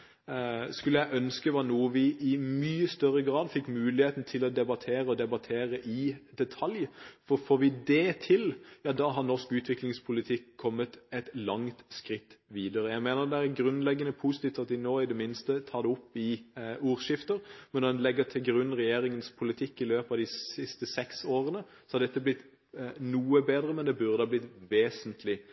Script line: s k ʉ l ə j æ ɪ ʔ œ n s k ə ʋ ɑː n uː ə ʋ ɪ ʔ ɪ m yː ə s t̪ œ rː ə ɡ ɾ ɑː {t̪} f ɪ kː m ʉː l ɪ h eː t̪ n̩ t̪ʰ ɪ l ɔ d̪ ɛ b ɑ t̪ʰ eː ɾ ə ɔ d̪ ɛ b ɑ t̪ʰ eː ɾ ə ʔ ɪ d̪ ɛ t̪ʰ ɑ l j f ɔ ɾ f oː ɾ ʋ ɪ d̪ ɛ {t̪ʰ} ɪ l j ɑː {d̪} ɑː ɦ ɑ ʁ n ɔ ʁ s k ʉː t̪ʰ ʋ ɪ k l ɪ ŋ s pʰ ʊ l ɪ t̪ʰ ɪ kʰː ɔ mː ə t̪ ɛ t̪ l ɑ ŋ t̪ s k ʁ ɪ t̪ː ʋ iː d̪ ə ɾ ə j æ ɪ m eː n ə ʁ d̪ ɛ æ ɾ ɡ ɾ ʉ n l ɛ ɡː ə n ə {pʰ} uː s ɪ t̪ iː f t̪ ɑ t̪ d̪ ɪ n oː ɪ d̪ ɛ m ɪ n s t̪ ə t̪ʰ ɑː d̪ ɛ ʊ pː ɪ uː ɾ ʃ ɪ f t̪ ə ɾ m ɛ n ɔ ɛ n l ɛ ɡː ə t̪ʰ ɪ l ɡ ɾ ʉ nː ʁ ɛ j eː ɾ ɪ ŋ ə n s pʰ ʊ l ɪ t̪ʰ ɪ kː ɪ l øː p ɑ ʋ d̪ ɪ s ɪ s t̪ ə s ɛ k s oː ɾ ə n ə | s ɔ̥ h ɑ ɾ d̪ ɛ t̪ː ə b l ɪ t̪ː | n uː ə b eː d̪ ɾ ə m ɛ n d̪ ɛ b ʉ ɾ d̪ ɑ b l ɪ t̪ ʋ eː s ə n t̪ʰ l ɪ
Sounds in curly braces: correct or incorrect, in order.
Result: incorrect, correct, correct, correct

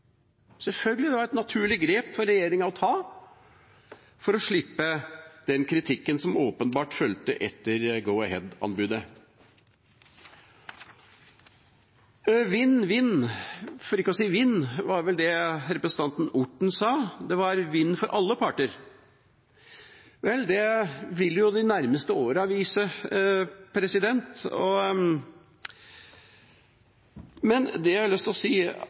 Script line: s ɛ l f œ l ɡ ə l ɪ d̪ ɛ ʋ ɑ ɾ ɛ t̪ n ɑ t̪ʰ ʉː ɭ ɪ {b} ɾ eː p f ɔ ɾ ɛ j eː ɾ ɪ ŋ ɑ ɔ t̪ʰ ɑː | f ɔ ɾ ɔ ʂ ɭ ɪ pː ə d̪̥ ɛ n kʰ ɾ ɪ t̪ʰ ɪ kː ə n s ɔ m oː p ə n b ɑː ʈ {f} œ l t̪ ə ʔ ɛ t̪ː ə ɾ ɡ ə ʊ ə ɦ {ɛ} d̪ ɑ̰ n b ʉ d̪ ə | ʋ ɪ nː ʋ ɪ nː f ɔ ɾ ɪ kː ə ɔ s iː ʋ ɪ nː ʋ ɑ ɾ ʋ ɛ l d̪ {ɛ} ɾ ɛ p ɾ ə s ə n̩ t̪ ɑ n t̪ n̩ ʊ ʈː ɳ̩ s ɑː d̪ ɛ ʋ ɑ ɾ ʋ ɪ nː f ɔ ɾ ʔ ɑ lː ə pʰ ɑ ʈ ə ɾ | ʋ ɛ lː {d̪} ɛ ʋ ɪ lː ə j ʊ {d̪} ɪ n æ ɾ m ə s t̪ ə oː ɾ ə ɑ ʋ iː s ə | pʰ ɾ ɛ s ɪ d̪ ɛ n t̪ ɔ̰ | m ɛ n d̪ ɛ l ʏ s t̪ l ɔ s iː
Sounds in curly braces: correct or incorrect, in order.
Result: incorrect, correct, correct, correct, correct, correct

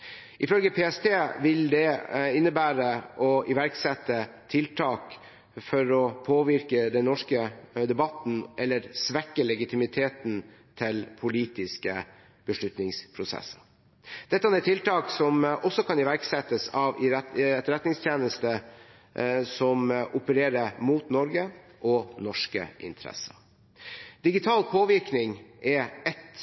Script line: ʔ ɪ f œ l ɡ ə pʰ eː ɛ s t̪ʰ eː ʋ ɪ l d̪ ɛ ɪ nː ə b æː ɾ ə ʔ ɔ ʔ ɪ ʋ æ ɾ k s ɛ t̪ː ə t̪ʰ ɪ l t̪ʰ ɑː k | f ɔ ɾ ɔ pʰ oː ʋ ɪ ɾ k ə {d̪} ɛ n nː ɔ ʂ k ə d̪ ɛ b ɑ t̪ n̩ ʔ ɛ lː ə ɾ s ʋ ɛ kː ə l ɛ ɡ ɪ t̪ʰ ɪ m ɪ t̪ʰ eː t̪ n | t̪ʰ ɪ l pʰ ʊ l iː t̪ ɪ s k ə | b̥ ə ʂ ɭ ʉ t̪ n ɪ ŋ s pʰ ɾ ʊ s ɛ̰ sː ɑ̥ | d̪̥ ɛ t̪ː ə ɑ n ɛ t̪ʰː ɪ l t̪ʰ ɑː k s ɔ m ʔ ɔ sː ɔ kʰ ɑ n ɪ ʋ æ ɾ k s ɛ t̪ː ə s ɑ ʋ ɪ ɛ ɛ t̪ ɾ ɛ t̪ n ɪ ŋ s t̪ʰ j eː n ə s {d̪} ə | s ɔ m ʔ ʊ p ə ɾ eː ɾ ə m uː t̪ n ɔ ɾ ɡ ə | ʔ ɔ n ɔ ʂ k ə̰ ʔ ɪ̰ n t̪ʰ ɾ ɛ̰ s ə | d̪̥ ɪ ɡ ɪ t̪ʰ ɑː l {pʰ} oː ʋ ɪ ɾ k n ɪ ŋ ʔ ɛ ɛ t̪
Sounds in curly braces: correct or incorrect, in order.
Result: correct, incorrect, correct

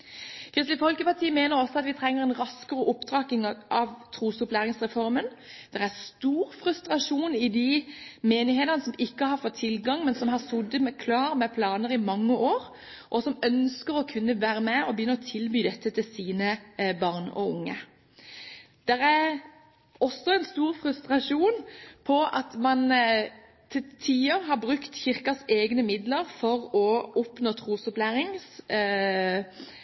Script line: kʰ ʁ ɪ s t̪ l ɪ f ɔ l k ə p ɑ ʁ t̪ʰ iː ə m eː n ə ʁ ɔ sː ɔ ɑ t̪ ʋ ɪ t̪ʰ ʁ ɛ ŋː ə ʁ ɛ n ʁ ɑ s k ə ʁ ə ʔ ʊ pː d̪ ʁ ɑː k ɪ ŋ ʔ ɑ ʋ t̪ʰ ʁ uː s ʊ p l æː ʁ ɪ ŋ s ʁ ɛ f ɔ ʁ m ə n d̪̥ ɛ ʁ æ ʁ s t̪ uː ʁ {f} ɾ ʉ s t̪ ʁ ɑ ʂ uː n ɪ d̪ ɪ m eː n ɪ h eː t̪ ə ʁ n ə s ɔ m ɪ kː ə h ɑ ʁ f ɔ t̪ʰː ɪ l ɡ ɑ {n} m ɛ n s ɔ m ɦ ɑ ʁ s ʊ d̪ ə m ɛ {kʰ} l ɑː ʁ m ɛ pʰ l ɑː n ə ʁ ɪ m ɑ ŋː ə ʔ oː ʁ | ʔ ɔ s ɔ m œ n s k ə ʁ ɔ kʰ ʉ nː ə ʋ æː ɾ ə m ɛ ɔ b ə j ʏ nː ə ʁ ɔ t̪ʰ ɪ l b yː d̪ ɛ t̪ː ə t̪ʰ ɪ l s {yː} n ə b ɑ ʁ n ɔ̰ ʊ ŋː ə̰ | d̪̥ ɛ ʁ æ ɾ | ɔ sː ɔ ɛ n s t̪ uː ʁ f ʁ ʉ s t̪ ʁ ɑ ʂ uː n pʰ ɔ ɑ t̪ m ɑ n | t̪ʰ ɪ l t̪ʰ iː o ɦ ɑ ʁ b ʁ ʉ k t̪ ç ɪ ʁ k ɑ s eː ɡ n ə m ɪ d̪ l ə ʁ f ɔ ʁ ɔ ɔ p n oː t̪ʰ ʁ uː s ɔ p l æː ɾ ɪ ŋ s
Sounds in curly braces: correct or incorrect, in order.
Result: correct, incorrect, correct, incorrect

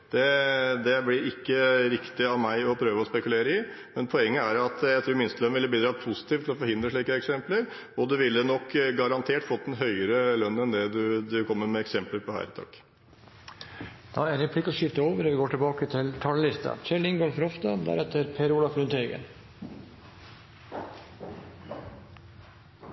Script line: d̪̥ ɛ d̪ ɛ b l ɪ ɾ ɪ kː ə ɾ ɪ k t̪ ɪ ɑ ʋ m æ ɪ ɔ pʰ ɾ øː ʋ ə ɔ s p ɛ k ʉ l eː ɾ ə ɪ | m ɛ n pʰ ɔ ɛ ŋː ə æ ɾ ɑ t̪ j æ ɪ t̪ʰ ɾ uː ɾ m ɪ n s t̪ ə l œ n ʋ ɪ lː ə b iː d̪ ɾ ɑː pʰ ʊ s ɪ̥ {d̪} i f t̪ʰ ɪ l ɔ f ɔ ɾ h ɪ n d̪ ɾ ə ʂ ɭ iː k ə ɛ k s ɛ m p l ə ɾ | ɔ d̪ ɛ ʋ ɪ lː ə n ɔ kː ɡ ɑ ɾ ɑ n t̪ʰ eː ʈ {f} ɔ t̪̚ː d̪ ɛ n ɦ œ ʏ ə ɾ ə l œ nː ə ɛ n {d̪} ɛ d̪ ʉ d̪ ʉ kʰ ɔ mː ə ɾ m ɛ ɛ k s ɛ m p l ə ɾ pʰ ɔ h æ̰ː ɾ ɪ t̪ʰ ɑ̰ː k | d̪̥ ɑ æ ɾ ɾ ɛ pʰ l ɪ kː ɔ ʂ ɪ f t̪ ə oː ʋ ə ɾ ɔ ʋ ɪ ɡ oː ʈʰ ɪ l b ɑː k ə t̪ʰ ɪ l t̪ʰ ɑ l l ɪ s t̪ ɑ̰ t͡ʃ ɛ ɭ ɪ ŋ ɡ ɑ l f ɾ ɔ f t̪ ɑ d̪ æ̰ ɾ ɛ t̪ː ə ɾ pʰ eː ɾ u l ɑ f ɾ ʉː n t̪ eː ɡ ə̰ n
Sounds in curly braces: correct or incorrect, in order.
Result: incorrect, correct, correct

